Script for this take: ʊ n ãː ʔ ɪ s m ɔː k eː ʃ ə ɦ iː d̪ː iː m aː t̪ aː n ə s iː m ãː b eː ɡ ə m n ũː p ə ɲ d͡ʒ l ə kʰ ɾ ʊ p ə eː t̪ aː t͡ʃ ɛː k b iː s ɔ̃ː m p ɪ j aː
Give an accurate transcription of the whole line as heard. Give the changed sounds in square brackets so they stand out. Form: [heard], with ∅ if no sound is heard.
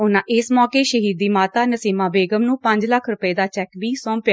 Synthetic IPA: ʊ n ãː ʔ ɪ s m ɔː k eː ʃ ə ɦ iː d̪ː iː m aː t̪ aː n ə s iː m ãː b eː ɡ ə m n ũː p ə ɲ d͡ʒ l ə kʰ ɾ ʊ p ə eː [d̪] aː t͡ʃ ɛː k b iː s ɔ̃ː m p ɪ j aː